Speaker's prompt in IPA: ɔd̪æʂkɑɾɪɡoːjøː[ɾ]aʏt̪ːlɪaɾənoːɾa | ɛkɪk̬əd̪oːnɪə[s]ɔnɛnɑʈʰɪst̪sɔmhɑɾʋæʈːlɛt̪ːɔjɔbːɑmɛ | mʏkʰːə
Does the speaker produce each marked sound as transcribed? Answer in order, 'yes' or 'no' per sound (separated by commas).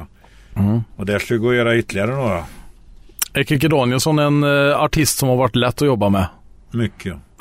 yes, yes